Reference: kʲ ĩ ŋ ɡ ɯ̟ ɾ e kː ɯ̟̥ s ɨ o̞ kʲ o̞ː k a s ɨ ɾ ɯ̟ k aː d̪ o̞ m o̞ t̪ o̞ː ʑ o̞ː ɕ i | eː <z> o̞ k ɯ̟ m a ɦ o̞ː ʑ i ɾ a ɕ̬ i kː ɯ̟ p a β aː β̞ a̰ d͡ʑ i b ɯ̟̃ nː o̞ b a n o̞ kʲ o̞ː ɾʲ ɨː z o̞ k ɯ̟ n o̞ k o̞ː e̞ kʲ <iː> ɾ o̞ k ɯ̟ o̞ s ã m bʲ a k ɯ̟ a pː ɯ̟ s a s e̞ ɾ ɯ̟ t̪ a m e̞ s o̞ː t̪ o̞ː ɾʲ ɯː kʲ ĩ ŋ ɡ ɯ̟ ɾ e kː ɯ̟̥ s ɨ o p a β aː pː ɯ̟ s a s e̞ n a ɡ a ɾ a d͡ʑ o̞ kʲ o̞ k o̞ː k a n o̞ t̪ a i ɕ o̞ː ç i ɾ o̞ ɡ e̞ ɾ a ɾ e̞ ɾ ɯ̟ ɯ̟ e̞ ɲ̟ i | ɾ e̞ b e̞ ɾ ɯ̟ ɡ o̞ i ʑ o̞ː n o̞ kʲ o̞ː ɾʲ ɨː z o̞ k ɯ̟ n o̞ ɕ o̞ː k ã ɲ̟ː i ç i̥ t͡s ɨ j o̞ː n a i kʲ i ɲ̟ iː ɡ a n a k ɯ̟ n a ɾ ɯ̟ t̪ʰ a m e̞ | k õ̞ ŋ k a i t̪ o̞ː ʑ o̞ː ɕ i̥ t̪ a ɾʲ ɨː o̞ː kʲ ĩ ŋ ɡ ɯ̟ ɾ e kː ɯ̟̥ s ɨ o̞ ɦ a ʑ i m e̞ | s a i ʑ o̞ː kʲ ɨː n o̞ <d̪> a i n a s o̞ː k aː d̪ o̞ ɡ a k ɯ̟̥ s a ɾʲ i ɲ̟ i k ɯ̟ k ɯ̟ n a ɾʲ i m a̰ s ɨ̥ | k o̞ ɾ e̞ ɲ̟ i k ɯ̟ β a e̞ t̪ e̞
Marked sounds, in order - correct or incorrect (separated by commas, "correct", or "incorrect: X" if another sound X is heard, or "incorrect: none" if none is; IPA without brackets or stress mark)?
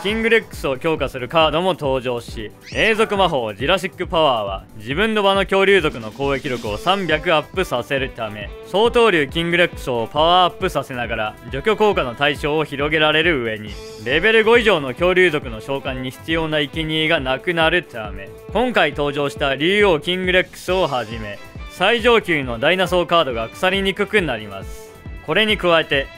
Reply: correct, incorrect: i, correct